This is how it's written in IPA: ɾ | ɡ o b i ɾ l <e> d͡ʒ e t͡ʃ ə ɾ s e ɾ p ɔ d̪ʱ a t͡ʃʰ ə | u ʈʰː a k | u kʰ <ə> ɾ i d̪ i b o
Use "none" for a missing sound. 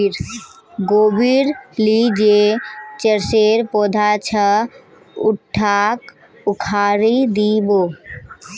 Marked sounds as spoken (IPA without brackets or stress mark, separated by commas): i, a